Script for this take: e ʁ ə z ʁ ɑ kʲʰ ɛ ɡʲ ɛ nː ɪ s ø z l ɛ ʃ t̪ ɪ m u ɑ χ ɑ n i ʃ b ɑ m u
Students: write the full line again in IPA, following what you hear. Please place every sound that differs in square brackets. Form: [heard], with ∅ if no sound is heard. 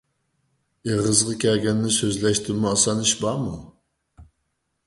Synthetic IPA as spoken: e ʁ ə z ʁ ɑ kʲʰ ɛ ɡʲ ɛ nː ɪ s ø z l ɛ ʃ t̪ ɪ m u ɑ [s] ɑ n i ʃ b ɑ m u